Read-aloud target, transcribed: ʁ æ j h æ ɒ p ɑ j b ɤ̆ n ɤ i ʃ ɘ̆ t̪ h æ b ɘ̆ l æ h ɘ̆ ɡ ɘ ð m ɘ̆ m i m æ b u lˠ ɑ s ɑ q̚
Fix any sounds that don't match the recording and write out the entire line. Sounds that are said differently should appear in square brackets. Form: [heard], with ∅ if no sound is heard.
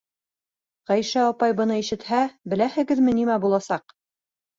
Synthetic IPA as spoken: ʁ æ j [ʃ] æ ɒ p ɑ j b ɤ̆ n ɤ i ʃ ɘ̆ t̪ h æ b ɘ̆ l æ h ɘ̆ ɡ ɘ ð m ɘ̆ [n] i m æ b u lˠ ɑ s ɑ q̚